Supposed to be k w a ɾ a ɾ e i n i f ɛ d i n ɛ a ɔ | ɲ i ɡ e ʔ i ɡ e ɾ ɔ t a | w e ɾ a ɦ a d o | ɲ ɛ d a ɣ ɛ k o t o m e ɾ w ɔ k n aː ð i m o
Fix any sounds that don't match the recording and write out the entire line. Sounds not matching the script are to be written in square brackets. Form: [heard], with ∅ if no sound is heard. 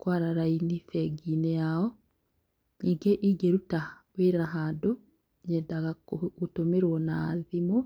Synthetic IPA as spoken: k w a ɾ a ɾ [a] i n i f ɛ [ɡ] i n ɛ a ɔ | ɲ i ɡ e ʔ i ɡ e ɾ [u] t a | w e ɾ a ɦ a d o | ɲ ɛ d a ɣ [a] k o t o m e ɾ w ɔ [∅] n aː ð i m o